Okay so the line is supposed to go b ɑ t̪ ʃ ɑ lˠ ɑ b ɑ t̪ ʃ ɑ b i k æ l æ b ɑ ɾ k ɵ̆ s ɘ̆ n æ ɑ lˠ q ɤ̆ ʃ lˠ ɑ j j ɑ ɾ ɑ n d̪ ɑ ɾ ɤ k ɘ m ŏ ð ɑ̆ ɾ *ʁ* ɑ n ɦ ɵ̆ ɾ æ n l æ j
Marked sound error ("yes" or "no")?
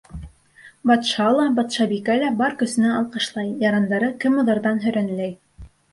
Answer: yes